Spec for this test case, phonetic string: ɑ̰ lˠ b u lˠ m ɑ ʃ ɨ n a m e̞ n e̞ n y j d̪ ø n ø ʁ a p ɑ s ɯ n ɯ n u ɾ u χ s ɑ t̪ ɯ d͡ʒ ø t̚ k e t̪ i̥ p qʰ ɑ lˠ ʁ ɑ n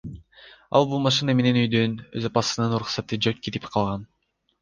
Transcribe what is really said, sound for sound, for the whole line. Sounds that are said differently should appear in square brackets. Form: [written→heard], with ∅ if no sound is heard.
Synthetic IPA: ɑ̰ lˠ b u lˠ m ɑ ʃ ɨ n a m e̞ n e̞ n y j d̪ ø n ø [ʁ→z] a p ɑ s ɯ n ɯ n u ɾ u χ s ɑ t̪ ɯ d͡ʒ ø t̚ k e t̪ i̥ p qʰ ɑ lˠ ʁ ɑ n